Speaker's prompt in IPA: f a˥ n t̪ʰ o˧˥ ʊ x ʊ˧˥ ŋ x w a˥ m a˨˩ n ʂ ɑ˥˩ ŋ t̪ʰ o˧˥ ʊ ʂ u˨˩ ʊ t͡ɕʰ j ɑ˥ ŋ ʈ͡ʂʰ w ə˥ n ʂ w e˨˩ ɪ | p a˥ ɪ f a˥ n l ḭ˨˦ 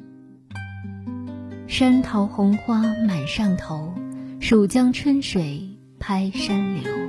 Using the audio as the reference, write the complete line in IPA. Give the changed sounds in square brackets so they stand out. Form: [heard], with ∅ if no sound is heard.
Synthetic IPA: [ʂ] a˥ n t̪ʰ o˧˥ ʊ x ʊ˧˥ ŋ x w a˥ m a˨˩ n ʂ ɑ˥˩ ŋ t̪ʰ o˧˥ ʊ ʂ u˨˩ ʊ [t͡ɕ] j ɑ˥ ŋ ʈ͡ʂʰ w ə˥ n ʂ w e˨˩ ɪ | [pʰ] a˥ ɪ [ʂ] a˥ n l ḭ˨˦